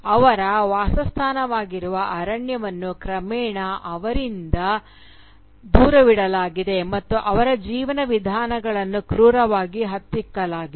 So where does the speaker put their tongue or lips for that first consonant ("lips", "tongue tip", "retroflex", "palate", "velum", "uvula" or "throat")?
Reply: lips